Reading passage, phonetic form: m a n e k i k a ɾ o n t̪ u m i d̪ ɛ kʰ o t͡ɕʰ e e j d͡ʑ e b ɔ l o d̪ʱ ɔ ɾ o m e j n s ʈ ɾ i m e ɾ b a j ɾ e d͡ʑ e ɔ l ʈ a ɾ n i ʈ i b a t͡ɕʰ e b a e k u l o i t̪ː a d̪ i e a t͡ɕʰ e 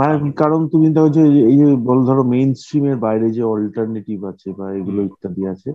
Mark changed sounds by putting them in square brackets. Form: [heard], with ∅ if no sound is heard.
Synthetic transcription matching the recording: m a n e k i k a ɾ o n t̪ u m i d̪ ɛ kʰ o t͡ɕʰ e e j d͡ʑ e b ɔ l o d̪ʱ ɔ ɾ o m e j n s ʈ ɾ i m e ɾ b a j ɾ e d͡ʑ e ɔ l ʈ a ɾ n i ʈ i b a t͡ɕʰ e b a e [ɡ] u l o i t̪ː a d̪ i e a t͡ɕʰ e